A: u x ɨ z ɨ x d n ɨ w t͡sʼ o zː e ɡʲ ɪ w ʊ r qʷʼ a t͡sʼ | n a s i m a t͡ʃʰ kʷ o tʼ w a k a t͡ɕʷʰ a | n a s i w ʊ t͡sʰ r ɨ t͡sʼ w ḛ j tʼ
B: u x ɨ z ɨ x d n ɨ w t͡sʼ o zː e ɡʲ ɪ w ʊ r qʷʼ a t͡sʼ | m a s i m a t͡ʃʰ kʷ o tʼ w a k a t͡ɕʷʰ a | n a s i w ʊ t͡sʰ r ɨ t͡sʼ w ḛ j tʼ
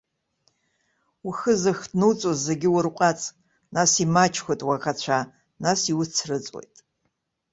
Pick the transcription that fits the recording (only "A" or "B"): A